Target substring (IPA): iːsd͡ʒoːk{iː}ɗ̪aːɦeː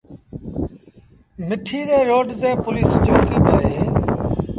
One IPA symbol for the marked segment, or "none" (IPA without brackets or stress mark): iː